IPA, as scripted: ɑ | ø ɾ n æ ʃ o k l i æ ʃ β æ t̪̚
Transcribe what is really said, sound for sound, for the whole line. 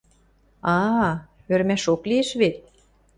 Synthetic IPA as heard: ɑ | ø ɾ m æ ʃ o k l i e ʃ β e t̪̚